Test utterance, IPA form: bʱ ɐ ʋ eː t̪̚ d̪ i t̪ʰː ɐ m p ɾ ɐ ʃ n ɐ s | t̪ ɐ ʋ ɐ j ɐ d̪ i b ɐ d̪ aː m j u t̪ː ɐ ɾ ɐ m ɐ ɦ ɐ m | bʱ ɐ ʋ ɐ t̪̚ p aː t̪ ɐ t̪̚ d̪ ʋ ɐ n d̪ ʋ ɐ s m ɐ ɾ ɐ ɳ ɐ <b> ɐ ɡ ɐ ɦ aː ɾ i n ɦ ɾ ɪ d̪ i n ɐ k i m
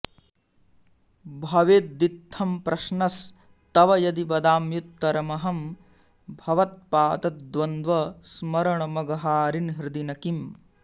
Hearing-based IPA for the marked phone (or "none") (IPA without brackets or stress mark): m